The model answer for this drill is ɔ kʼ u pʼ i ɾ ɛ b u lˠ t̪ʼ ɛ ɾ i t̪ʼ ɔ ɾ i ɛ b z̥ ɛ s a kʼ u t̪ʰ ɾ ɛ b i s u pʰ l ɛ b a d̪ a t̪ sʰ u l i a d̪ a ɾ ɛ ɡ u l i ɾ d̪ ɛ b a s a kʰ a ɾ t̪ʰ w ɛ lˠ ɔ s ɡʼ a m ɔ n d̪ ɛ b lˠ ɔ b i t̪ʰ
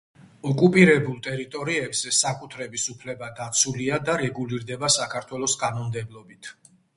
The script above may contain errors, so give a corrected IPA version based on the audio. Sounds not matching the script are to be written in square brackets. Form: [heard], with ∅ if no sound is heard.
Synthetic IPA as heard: ɔ kʼ u pʼ i ɾ ɛ b u lˠ t̪ʼ ɛ ɾ i t̪ʼ ɔ ɾ i ɛ b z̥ ɛ s a kʼ u t̪ʰ ɾ ɛ b i s u pʰ l ɛ b a d̪ a t̪ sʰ u l i a d̪ a ɾ ɛ ɡ u l i ɾ d̪ ɛ b a s a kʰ a ɾ t̪ʰ w ɛ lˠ ɔ s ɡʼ a [n] ɔ [m] d̪ ɛ b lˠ ɔ b i t̪ʰ